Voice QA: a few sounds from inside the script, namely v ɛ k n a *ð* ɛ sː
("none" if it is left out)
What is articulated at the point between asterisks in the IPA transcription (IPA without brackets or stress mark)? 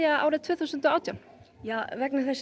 θ